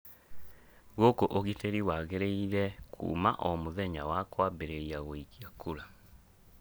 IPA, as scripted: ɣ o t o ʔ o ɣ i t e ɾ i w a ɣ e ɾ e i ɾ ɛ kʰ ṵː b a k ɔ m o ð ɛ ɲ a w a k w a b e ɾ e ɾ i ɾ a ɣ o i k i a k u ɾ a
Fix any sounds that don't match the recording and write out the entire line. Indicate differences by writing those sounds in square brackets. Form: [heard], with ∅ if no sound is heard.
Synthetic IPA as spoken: ɣ o [k] o ʔ o ɣ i t e ɾ i w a ɣ e ɾ e i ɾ ɛ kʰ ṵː [m] a [ʔ] ɔ m o ð ɛ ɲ a w a k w a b e ɾ e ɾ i [∅] a ɣ o i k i a k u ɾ a